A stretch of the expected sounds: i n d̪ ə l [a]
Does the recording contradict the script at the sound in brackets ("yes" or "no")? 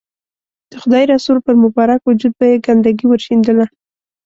no